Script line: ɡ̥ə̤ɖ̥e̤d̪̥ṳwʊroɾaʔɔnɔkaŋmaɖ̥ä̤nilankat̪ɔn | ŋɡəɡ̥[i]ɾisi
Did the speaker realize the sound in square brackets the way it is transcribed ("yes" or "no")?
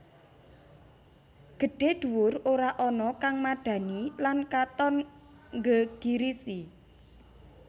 yes